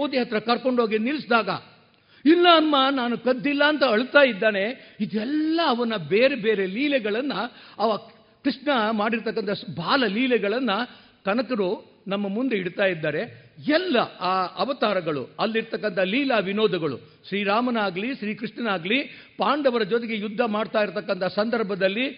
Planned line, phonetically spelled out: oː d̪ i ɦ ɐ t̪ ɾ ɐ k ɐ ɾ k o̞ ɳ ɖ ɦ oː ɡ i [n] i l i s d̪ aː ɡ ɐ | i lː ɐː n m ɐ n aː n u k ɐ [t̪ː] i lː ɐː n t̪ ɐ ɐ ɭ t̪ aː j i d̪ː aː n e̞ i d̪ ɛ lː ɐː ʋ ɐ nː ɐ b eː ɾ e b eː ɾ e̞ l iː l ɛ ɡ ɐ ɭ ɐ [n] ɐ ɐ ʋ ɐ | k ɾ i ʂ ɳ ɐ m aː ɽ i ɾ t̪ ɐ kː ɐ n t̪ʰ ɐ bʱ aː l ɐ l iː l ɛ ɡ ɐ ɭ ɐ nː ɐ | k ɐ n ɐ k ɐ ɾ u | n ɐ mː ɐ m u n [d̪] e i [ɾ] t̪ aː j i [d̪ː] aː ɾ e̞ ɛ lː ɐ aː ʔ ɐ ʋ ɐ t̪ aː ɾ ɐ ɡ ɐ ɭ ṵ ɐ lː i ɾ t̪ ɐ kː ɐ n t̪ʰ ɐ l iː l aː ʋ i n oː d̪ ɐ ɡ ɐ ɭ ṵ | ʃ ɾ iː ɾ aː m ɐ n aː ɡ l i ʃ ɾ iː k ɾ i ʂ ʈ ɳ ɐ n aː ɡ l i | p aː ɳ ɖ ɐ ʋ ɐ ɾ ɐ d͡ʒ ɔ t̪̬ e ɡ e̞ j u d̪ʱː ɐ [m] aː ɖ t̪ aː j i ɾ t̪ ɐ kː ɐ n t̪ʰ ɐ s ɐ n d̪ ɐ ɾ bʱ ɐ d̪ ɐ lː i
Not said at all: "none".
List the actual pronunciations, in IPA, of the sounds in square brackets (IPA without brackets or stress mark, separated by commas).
n, d̪ː, nː, d̪, ɽ, d̪ː, m